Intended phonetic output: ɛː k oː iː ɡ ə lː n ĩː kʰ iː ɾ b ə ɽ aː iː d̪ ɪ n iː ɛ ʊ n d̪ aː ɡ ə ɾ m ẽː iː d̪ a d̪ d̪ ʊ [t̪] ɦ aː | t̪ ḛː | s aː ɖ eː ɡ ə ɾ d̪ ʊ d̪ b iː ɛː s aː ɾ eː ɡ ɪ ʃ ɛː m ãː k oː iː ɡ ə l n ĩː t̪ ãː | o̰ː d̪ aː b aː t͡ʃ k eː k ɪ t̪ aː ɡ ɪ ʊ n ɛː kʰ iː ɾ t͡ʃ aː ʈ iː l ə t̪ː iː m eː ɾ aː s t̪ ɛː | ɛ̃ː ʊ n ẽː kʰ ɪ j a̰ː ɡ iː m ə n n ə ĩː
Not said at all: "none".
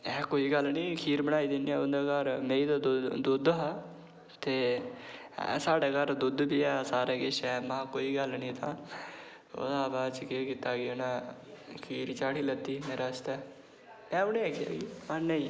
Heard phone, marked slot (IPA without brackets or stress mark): d̪